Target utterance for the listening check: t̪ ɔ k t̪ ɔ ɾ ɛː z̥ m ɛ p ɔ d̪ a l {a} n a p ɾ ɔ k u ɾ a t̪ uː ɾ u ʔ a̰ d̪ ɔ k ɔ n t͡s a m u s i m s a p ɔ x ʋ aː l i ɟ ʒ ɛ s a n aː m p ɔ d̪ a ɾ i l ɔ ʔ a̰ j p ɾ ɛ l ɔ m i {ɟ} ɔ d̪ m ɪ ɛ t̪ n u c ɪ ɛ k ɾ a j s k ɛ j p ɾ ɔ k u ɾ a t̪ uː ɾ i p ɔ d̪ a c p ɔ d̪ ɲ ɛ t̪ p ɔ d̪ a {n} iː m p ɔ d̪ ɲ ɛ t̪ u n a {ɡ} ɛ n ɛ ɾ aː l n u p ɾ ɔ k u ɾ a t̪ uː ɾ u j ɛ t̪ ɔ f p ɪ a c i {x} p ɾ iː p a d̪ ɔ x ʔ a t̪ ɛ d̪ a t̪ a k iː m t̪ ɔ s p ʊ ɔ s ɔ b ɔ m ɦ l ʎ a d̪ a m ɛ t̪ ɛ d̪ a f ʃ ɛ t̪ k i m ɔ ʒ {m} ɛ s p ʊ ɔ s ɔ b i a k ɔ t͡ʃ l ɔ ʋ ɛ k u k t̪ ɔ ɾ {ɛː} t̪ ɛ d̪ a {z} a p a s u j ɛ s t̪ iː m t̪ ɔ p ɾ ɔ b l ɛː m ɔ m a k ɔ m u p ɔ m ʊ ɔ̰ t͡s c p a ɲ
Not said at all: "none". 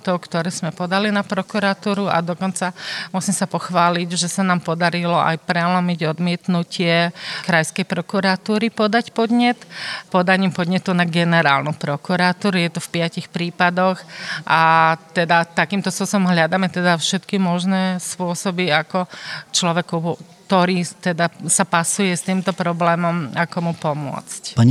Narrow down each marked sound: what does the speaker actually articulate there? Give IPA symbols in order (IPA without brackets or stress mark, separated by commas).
i, ɟ, ɲ, ɡ, x, n, iː, s